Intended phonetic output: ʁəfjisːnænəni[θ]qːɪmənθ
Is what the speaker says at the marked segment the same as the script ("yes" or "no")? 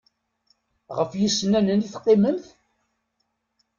yes